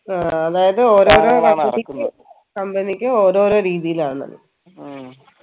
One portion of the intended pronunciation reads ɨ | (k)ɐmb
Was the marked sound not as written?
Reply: no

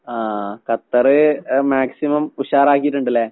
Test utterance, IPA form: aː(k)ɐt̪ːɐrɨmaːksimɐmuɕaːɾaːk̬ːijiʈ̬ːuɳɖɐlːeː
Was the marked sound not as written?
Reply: no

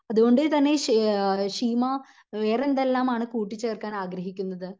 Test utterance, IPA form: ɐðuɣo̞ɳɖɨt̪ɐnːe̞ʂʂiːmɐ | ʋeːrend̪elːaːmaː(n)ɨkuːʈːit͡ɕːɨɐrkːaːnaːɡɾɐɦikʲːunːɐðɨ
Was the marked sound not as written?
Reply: yes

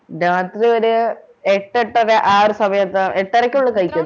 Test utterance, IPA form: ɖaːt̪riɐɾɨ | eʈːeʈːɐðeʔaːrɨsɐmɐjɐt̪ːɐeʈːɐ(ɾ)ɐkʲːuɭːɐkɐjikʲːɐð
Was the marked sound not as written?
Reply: no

